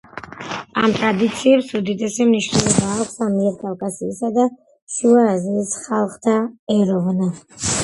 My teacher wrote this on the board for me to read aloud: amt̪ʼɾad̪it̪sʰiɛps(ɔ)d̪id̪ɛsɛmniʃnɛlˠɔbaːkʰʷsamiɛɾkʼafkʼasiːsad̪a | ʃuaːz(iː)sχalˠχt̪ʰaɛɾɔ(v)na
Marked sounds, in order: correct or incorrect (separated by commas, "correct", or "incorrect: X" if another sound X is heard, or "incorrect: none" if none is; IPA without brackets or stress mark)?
incorrect: u, correct, correct